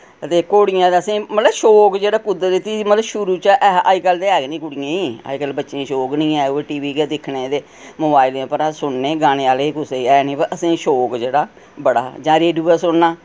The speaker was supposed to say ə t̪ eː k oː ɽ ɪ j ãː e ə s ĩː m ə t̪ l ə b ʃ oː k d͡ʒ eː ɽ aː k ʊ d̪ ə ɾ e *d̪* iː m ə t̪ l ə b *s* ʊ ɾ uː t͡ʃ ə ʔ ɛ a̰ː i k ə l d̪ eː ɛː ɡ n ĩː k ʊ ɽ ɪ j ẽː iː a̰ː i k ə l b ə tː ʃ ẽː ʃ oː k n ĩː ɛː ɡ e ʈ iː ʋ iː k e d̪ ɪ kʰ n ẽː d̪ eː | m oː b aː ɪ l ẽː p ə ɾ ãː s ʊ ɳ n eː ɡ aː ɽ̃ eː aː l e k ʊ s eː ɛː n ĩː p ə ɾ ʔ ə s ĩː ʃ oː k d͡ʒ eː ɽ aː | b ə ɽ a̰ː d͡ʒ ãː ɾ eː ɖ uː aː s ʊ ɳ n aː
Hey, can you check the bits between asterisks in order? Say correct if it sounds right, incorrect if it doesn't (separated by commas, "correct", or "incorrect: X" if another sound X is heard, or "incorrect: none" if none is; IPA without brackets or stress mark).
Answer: incorrect: t̪, incorrect: ʃ